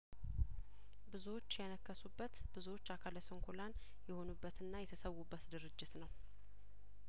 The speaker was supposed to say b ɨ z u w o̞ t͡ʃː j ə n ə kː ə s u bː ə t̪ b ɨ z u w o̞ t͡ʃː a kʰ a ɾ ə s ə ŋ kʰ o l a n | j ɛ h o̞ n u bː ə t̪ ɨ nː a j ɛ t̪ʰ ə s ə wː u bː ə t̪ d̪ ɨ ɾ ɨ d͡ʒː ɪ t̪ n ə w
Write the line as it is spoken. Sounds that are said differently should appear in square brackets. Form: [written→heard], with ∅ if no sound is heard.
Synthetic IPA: b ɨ z u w o̞ t͡ʃː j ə n ə kː ə s u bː ə t̪ b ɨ z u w o̞ t͡ʃː a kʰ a [ɾ→l] ə s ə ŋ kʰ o l a n | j ɛ h o̞ n u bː ə t̪ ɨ nː a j ɛ t̪ʰ ə s ə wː u bː ə t̪ d̪ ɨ ɾ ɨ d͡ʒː ɪ t̪ n ə w